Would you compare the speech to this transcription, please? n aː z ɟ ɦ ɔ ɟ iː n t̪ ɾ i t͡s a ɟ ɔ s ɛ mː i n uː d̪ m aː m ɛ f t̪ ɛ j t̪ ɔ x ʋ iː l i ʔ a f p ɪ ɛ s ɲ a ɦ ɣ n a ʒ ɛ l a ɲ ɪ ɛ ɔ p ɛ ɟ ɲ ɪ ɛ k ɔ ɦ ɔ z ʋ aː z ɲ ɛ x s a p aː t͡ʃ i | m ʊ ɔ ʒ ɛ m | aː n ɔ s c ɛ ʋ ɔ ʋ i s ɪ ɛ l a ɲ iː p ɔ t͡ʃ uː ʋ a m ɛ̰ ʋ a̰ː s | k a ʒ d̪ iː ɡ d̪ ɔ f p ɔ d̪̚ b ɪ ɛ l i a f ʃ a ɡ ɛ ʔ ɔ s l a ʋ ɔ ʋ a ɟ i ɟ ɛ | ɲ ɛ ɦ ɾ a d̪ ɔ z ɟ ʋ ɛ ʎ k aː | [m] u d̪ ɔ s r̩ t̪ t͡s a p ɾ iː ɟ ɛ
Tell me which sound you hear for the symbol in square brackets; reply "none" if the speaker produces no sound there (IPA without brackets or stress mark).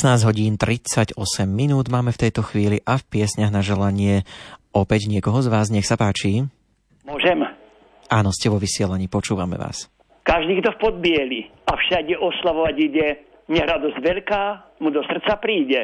m